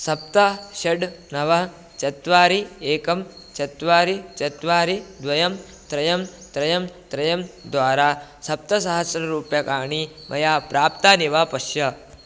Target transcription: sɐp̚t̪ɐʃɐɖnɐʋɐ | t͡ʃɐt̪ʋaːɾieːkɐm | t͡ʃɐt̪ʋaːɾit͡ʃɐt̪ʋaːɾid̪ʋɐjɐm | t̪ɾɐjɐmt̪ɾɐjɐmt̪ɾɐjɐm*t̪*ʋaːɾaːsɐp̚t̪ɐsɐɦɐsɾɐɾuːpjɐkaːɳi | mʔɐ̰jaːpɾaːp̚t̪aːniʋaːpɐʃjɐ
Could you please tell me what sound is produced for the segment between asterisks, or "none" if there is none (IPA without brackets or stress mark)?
d̪